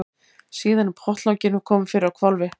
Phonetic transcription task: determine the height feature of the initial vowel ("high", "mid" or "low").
high